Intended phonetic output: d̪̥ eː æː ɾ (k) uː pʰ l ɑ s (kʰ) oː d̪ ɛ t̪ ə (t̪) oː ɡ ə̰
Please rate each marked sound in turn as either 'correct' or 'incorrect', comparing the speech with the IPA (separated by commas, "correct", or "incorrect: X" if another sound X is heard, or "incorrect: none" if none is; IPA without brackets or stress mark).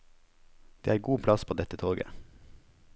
incorrect: ɡ, incorrect: pʰ, incorrect: t̪ʰ